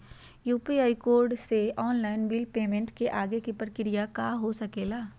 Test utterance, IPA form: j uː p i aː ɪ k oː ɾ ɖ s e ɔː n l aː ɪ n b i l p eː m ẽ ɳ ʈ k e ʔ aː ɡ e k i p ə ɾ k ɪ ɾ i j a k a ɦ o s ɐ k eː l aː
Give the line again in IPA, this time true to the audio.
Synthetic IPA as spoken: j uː p i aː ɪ k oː ɾ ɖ s e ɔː n l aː ɪ n b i l p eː m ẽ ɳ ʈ k e ʔ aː ɡ e k i p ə ɾ k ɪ ɾ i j a k a ɦ o s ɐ k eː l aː